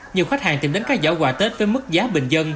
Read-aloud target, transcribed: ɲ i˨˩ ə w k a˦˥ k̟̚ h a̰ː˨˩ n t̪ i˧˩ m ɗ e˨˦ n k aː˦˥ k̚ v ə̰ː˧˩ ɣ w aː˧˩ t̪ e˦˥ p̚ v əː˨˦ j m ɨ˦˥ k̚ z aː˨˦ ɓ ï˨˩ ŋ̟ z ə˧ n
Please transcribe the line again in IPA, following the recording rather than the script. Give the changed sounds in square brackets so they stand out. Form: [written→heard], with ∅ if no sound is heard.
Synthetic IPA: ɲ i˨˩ ə w [k→x] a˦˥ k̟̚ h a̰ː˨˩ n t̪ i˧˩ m ɗ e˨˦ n k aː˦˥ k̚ [v→z] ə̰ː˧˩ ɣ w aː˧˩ t̪ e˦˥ [p̚→t̚] v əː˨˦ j m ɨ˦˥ k̚ z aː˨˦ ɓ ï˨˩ ŋ̟ z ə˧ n

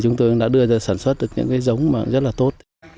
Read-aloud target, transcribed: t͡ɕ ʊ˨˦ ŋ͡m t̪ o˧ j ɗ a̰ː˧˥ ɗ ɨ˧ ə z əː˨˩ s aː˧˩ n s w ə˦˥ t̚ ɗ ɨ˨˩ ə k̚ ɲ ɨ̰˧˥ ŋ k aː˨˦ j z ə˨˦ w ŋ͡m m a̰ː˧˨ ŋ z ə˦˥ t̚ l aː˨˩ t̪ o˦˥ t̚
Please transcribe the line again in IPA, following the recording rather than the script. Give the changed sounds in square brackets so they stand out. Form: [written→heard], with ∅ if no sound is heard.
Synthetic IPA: t͡ɕ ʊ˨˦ ŋ͡m t̪ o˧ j ɗ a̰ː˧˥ ɗ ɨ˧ ə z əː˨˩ s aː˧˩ n s w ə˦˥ t̚ ɗ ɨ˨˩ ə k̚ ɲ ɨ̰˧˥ ŋ k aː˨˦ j z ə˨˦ w ŋ͡m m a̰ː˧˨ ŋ z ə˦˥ t̚ l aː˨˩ t̪ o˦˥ t̚

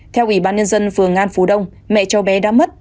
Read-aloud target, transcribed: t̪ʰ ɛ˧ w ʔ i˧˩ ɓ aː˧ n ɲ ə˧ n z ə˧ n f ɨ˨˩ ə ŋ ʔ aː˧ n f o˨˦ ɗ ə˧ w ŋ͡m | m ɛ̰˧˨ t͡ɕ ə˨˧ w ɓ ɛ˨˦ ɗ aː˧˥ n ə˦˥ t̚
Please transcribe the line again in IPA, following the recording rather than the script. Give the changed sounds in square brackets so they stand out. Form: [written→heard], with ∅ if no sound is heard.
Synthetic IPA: t̪ʰ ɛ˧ w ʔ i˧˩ ɓ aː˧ n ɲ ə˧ n z ə˧ n f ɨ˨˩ ə ŋ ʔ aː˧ n f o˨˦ ɗ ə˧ w ŋ͡m | m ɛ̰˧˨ t͡ɕ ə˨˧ w ɓ ɛ˨˦ ɗ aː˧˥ [n→m] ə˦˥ t̚

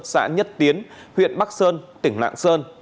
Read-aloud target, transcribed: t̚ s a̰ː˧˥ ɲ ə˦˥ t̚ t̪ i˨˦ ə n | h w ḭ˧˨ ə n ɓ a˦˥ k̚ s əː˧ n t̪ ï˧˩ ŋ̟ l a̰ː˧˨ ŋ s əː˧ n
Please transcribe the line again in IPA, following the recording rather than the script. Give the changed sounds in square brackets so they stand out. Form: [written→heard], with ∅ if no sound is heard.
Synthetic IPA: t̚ s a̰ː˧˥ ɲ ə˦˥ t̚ t̪ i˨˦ ə n | h w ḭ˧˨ ə n ɓ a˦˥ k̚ s əː˧ n t̪ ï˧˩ ŋ̟ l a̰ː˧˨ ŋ s əː˧ n

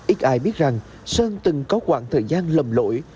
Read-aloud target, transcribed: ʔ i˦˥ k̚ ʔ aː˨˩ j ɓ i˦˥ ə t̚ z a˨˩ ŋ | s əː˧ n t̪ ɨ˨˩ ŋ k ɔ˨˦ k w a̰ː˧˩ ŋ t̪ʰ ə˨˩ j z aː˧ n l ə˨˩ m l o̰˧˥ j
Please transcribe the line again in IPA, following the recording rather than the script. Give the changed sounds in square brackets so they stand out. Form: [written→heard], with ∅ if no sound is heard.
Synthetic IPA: ʔ i˦˥ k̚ ʔ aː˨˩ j ɓ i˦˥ ə t̚ z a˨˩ ŋ | s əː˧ n t̪ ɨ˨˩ ŋ k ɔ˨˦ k w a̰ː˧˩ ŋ t̪ʰ [ə˨˩→əː˨˩] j z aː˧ n l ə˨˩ m l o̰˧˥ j

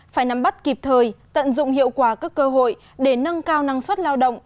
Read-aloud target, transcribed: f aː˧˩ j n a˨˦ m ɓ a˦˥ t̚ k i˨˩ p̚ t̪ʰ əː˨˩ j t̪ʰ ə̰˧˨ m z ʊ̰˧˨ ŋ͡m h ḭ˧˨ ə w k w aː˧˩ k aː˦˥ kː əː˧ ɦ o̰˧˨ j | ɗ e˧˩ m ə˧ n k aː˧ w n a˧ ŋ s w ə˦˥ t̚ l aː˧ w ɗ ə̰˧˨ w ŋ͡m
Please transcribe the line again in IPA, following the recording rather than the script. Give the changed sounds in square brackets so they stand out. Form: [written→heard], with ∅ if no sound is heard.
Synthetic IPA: f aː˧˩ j n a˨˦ m ɓ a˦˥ t̚ k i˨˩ p̚ t̪ʰ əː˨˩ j [t̪ʰ→t̪] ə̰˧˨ [m→n] z ʊ̰˧˨ ŋ͡m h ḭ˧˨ ə w k w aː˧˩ k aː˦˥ kː əː˧ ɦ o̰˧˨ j | ɗ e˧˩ [m→n] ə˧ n k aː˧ w n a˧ ŋ s w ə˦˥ t̚ l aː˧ w ɗ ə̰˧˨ w ŋ͡m

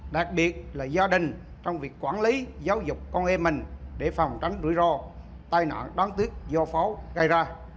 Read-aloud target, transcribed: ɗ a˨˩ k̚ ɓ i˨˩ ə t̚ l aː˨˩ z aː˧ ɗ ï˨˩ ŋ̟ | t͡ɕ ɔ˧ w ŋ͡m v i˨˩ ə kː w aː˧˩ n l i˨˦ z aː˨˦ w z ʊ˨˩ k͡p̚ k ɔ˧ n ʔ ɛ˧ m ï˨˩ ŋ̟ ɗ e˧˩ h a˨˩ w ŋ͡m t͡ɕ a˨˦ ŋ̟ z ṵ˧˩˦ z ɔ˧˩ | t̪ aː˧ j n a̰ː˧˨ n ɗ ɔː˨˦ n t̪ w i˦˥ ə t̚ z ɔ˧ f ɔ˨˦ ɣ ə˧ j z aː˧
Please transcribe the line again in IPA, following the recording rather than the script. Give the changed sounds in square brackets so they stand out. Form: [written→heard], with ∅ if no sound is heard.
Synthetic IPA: ɗ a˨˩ k̚ ɓ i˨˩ ə t̚ l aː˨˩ z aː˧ ɗ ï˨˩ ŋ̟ | t͡ɕ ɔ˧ w ŋ͡m v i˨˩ ə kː w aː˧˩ n l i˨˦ z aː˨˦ w z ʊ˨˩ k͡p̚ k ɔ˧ n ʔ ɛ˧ m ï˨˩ ŋ̟ ɗ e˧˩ [h→f] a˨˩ w ŋ͡m t͡ɕ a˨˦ ŋ̟ z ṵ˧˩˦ z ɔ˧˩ | t̪ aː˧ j n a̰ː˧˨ n ɗ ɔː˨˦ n t̪ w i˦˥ ə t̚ z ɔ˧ f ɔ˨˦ ɣ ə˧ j z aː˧

